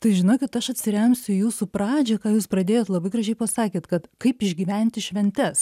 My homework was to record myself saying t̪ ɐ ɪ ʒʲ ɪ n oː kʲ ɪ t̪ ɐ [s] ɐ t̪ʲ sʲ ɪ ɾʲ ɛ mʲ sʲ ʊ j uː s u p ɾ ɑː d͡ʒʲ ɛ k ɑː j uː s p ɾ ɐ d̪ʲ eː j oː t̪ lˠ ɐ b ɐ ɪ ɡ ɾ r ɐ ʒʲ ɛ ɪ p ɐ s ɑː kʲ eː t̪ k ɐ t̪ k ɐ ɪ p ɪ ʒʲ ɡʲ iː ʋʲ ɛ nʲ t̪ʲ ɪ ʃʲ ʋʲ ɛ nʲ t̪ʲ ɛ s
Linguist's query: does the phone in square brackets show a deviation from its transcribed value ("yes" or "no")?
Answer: yes